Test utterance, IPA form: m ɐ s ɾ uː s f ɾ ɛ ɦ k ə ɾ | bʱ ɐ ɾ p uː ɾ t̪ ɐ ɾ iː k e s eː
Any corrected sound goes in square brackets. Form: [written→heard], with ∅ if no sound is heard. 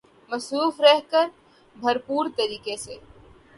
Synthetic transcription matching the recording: m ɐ s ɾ uː [s→∅] f ɾ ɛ ɦ k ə ɾ | bʱ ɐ ɾ p uː ɾ t̪ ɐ ɾ iː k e s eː

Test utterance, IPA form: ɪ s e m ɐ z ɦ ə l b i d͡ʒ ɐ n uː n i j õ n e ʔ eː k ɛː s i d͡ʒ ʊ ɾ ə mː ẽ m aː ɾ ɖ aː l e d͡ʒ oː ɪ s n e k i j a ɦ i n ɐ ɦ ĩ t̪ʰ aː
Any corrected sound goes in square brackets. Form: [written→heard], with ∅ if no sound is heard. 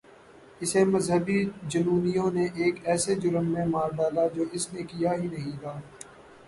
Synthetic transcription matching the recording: ɪ s e m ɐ z ɦ ə [l→∅] b i d͡ʒ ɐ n uː n i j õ n e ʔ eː k ɛː s [i→e] d͡ʒ ʊ ɾ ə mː ẽ m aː ɾ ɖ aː l [e→a] d͡ʒ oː ɪ s n e k i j a ɦ i n ɐ ɦ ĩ t̪ʰ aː

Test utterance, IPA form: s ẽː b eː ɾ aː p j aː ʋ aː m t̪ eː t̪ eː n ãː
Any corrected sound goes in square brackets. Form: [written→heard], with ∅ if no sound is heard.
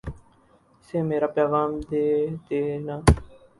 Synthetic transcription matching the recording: s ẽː [b→m] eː ɾ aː p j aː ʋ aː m [t̪→d̪] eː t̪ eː n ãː

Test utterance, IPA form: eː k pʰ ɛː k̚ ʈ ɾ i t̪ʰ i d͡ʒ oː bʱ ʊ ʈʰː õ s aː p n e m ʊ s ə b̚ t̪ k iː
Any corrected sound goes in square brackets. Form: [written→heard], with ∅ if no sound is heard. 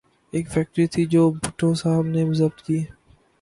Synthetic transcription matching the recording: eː k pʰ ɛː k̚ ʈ ɾ i t̪ʰ i d͡ʒ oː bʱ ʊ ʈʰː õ s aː [p→b] n e m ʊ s ə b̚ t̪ k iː

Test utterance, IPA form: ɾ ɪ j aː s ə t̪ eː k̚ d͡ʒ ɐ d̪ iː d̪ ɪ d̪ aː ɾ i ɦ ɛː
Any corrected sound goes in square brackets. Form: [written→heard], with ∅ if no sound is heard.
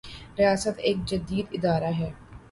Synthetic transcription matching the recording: ɾ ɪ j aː s ə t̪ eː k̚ d͡ʒ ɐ d̪ iː d̪ ɪ d̪ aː ɾ [i→a] ɦ ɛː

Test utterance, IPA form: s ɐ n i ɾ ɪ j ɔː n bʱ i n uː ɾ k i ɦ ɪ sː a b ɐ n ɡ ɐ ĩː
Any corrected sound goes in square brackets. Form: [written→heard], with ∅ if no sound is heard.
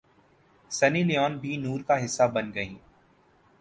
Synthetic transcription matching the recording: s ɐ n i [ɾ→l] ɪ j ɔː n bʱ i n uː ɾ k [i→a] ɦ ɪ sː a b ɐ n ɡ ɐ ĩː

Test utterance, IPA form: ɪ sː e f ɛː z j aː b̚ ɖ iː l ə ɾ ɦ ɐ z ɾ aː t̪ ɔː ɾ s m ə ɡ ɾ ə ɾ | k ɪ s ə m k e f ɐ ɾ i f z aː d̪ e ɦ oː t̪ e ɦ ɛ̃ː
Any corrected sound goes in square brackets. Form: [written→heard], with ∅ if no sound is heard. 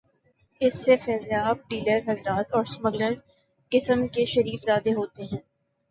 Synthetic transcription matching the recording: ɪ sː e f ɛː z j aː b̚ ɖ iː l ə ɾ ɦ ɐ z ɾ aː t̪ ɔː ɾ s m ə ɡ [ɾ→l] ə ɾ | k ɪ s ə m k e [f→ʃ] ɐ ɾ [i→iː] f z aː d̪ e ɦ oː t̪ e ɦ ɛ̃ː

